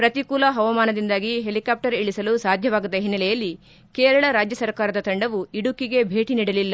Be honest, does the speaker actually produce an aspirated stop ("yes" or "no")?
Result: no